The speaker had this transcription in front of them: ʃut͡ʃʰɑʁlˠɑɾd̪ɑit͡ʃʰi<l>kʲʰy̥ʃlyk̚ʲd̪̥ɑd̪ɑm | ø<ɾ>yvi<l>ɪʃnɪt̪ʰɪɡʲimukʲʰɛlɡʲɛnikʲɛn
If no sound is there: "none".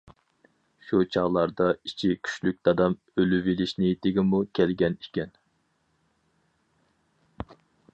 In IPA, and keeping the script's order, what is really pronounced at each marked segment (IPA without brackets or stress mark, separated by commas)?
none, l, l